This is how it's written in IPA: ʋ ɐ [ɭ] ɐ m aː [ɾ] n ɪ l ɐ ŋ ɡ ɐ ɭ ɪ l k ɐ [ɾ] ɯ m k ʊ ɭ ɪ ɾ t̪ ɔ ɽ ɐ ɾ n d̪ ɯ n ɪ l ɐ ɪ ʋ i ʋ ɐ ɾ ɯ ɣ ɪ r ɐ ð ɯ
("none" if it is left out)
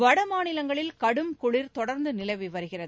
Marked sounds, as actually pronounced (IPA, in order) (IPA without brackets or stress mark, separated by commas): ɽ, none, ɽ